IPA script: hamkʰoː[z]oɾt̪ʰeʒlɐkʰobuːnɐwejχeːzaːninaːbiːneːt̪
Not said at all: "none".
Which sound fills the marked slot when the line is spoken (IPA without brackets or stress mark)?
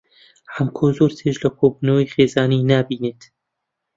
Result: z